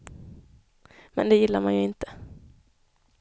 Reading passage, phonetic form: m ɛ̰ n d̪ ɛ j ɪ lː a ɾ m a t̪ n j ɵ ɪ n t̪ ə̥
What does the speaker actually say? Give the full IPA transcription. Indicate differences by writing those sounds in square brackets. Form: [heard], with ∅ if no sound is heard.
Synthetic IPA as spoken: m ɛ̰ n d̪ ɛ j ɪ lː a ɾ m a [∅] n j ɵ ɪ n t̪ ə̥